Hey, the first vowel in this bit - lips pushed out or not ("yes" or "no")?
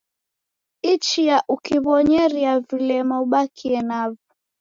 no